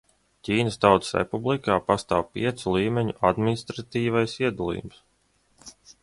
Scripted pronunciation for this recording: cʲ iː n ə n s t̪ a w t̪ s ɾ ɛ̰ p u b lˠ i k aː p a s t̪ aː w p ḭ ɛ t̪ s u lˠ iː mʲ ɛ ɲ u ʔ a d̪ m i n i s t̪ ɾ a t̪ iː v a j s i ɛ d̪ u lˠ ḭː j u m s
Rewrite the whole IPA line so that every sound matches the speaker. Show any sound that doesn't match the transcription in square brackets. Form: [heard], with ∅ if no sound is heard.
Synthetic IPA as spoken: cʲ iː n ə [∅] s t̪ a w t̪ s ɾ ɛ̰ p u b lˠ i k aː p a s t̪ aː w p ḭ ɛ t̪ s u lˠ iː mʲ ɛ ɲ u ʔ a d̪ m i n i s t̪ ɾ a t̪ iː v a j s i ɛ d̪ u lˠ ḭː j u m s